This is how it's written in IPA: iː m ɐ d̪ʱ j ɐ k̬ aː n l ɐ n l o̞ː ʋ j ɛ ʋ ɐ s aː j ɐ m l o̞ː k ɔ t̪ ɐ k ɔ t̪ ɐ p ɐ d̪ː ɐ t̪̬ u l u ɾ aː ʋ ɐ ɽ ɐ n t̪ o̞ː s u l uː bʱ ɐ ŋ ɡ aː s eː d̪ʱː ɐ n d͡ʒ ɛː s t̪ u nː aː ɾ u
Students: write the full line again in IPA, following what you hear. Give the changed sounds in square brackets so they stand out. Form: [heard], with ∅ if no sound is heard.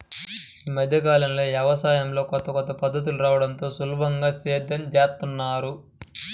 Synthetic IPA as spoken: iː m ɐ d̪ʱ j ɐ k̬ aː [∅] l ɐ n l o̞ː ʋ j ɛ ʋ ɐ s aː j ɐ m l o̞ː k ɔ t̪ ɐ k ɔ t̪ ɐ p ɐ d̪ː ɐ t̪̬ u l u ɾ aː ʋ ɐ ɽ ɐ n t̪ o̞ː s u l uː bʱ ɐ ŋ ɡ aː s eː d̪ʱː ɐ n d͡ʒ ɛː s t̪ u nː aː ɾ u